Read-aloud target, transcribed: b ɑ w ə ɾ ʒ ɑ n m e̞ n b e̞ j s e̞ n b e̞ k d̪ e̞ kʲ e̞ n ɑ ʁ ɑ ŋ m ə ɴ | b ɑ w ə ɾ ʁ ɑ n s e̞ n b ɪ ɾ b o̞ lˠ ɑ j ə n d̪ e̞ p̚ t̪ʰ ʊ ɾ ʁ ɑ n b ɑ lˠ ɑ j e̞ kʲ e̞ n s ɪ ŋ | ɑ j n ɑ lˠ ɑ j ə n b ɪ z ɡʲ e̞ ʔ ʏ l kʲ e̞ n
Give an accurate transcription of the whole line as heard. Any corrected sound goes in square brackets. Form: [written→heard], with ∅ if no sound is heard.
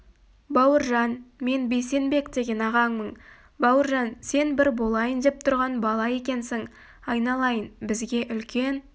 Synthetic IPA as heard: b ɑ w ə ɾ ʒ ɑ n m e̞ n b e̞ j s e̞ n b e̞ k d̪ e̞ [kʲ→ɡʲ] e̞ n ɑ ʁ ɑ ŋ m ə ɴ | b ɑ w ə ɾ [ʁ→ʒ] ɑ n s e̞ n b ɪ ɾ b o̞ lˠ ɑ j ə n d̪ e̞ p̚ t̪ʰ ʊ ɾ ʁ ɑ n b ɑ lˠ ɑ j e̞ kʲ e̞ n s ɪ ŋ | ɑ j n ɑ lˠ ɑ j ə n b ɪ z ɡʲ e̞ ʔ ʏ l kʲ e̞ n